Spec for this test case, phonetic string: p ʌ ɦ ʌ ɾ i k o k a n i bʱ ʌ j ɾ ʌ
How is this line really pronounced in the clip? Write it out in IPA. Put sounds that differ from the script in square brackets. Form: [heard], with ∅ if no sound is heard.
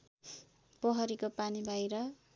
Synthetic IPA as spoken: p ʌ ɦ ʌ ɾ i k o [p] a n i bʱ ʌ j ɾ ʌ